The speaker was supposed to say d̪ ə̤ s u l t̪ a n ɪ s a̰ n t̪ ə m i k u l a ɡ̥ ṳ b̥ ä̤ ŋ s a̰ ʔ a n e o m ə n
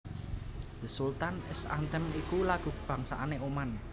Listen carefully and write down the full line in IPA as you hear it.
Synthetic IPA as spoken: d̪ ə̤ s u l t̪ a n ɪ s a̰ n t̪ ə m i k u l a ɡ̥ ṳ b̥ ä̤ ŋ s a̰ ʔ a n e o m a n